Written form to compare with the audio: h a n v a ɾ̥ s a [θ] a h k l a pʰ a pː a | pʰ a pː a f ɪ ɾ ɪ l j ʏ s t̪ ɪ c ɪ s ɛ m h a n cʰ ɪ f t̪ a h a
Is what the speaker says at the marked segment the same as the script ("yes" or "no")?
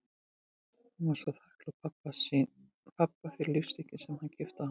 yes